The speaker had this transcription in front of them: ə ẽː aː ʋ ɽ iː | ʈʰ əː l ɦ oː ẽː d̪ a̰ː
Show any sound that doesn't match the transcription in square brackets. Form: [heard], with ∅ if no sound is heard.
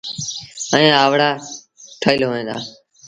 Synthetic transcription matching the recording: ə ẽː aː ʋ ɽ [aː] | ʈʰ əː l ɦ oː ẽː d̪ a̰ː